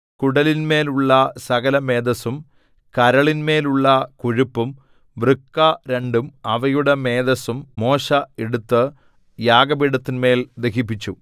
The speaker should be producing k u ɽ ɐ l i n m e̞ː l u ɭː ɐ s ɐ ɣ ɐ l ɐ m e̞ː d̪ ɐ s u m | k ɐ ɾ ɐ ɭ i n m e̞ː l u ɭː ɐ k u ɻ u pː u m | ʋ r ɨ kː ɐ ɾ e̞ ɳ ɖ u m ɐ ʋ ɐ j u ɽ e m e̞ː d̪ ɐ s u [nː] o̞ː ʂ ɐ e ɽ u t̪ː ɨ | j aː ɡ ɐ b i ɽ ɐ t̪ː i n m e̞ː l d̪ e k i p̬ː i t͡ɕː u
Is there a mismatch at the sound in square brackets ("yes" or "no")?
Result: yes